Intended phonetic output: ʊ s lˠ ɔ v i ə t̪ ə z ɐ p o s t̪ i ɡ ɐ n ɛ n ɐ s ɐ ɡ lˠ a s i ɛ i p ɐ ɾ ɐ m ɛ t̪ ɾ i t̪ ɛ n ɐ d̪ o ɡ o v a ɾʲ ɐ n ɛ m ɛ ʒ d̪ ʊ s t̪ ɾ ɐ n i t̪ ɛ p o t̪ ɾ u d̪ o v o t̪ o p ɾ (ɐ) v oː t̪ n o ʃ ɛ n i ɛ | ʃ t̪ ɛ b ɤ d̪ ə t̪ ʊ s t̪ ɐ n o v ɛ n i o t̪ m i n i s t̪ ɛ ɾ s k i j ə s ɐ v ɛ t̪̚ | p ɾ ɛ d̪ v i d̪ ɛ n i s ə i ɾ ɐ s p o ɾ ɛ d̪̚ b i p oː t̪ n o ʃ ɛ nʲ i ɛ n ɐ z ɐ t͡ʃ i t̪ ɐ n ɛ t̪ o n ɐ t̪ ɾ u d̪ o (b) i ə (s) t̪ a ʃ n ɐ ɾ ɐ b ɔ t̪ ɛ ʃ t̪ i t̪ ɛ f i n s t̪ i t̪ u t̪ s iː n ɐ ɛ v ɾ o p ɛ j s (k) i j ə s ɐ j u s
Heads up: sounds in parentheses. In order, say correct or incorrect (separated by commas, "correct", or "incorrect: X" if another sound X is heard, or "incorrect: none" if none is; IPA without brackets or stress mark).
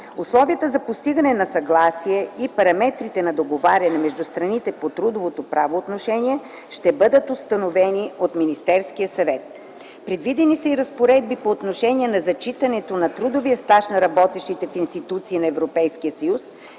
incorrect: a, incorrect: v, correct, correct